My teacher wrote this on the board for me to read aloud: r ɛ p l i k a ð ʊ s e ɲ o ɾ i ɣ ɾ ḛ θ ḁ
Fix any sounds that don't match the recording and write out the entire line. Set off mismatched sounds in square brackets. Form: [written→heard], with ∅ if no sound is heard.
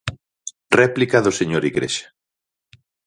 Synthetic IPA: r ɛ p l i k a ð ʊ s e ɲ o ɾ i ɣ ɾ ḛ [θ→ʃ] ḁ

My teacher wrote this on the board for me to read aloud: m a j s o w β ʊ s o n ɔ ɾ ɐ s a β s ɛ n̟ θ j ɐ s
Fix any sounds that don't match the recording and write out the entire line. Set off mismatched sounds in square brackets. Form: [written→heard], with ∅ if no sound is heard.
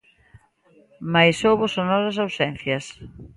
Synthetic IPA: m a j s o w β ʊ s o n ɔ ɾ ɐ s a [β→w] s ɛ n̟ θ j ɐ s

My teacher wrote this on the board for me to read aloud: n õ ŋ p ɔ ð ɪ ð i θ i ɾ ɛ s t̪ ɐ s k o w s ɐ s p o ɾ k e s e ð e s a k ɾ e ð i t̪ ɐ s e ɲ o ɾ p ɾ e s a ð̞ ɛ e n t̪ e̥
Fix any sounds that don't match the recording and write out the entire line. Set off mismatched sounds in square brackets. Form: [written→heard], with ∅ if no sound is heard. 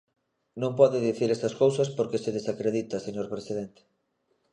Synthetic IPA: n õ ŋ p ɔ ð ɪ ð i θ i ɾ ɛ s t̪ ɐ s k o w s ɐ s p o ɾ k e s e ð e s a k ɾ e ð i t̪ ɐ s e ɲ o ɾ p ɾ e s [a→i] ð̞ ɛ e n t̪ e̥

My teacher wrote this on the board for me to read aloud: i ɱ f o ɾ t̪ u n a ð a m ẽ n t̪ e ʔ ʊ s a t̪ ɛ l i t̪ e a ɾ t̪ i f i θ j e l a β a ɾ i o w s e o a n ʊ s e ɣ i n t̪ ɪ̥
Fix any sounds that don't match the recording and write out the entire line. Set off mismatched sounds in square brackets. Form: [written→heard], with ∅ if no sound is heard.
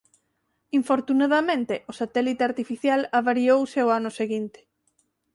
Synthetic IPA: i ɱ f o ɾ t̪ u n a ð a m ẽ n t̪ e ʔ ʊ s a t̪ ɛ l i t̪ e a ɾ t̪ i f i θ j [e→a] l a β a ɾ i o w s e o a n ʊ s e ɣ i n t̪ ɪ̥

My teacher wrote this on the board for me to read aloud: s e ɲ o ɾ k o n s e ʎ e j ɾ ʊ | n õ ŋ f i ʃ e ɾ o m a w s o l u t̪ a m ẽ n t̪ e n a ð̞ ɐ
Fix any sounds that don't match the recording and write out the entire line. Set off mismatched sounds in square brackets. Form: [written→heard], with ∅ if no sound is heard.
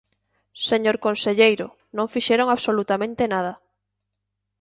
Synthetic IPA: s e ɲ o ɾ k o n s e ʎ e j ɾ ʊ | n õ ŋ f i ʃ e ɾ o [m→ŋ] a [w→β] s o l u t̪ a m ẽ n t̪ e n a ð̞ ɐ

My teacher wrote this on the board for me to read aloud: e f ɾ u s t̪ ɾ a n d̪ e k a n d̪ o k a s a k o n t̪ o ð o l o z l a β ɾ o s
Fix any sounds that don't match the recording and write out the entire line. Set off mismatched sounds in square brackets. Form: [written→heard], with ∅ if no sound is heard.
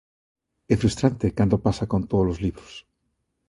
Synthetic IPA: e f ɾ u s t̪ ɾ a n [d̪→t̪] e k a n d̪ o [k→p] a s a k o n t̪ o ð o l o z l [a→i] β ɾ o s

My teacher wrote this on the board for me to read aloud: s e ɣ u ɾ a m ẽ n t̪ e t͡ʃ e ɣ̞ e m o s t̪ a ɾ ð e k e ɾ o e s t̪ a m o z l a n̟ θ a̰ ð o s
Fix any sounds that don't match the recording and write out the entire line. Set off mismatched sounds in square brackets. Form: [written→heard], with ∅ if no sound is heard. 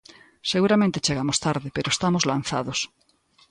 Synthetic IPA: s e ɣ u ɾ a m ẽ n t̪ e t͡ʃ e ɣ̞ [e→a] m o s t̪ a ɾ ð e [k→p] e ɾ o e s t̪ a m o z l a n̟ θ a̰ ð o s

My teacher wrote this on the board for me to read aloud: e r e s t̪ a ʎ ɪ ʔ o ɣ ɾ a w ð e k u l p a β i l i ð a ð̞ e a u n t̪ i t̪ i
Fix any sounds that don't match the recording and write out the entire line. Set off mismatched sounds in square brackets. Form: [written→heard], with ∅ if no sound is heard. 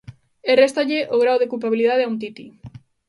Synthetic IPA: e r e s t̪ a ʎ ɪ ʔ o ɣ ɾ a w ð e k u l p a β i l i ð a ð̞ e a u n t̪ i t̪ i

